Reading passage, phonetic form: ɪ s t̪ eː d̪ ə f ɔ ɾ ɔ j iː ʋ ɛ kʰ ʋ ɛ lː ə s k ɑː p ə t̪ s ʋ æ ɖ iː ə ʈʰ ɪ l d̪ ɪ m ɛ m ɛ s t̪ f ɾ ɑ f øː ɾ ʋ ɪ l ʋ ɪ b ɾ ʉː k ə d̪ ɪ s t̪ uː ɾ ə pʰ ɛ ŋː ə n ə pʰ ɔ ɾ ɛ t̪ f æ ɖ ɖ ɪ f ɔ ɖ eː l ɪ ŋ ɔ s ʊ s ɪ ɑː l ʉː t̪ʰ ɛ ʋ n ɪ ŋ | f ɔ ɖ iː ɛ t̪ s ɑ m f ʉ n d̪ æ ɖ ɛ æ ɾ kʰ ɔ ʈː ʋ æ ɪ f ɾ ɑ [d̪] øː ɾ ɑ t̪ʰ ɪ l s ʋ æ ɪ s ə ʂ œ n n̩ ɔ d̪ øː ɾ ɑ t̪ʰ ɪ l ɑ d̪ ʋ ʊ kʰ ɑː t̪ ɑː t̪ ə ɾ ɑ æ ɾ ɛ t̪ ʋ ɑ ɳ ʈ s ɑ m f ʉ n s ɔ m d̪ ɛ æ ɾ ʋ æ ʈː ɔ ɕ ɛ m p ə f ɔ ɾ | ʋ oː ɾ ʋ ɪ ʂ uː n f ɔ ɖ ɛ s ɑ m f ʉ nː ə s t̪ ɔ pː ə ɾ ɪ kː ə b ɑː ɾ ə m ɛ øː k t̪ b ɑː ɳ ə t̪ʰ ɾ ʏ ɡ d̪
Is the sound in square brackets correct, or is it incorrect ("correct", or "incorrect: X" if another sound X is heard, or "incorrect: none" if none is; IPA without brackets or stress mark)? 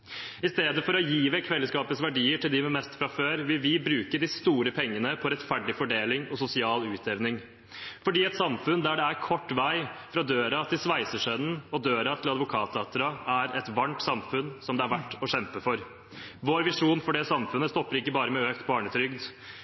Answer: correct